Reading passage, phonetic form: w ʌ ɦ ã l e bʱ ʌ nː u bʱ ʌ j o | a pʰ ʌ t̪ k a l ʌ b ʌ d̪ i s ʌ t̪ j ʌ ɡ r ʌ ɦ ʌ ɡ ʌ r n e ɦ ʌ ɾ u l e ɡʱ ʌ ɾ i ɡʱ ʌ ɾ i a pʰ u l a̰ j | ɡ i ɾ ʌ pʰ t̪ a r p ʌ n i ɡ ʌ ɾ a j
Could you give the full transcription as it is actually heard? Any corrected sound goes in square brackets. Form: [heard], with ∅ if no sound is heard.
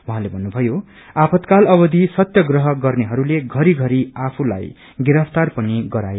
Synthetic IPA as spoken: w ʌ ɦ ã l e bʱ ʌ nː u bʱ ʌ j o | a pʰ ʌ t̪ k a l ʌ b ʌ d̪ i s ʌ t̪ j ʌ ɡ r ʌ ɦ ʌ ɡ ʌ r n e ɦ ʌ ɾ u l e ɡʱ ʌ ɾ i ɡʱ ʌ ɾ i a pʰ u l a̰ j | ɡ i ɾ ʌ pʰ t̪ a r p ʌ n i ɡ ʌ ɾ a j